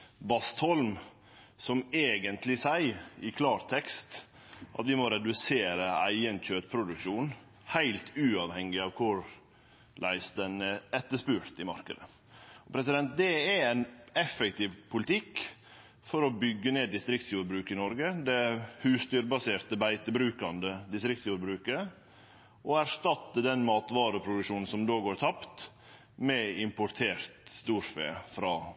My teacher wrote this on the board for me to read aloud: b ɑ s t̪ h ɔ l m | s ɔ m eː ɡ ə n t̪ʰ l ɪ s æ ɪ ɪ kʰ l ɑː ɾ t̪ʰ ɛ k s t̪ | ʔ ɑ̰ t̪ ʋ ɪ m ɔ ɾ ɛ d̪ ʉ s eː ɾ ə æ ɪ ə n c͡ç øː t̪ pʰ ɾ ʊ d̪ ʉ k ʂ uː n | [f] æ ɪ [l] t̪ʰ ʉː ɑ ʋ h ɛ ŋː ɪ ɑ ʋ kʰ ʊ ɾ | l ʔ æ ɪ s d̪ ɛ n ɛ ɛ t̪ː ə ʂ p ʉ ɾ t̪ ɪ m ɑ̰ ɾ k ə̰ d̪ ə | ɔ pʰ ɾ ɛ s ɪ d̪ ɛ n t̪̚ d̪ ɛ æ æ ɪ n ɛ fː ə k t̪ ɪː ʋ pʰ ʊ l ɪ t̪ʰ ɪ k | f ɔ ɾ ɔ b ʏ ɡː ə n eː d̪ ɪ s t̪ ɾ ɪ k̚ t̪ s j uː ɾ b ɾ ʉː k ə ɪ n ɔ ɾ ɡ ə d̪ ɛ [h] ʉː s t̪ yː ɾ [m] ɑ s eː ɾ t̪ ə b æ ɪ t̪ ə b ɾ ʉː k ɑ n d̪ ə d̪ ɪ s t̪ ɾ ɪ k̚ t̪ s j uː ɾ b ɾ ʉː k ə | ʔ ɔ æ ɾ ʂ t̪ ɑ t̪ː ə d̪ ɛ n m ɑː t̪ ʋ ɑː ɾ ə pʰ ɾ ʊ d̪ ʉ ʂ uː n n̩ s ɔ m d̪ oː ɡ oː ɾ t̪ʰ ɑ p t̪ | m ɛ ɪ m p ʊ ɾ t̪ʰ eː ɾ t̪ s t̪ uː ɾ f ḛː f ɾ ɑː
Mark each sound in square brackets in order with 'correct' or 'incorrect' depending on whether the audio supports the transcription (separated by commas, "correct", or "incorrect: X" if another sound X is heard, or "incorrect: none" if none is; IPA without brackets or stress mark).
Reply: incorrect: h, correct, correct, incorrect: b